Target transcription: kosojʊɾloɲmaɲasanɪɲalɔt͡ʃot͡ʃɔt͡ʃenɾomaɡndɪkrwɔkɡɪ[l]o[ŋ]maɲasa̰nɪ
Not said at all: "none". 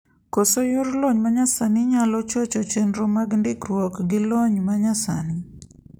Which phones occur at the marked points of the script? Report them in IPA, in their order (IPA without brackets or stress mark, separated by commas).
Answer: l, ɲ